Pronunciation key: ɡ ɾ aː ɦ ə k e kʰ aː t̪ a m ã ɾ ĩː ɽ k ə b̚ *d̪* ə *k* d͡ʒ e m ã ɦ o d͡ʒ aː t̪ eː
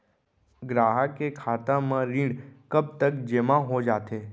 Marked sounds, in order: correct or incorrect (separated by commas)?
incorrect, correct